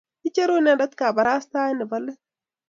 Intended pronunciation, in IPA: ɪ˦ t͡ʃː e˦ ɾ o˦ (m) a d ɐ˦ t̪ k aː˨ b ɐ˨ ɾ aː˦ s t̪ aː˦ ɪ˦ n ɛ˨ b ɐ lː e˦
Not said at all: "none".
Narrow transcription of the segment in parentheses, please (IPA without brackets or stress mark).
n